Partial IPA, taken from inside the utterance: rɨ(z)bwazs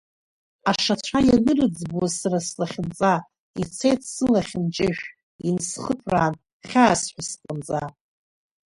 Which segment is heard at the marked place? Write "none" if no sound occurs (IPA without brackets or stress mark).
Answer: d͡z